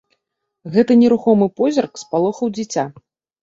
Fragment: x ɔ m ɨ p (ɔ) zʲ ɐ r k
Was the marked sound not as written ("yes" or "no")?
no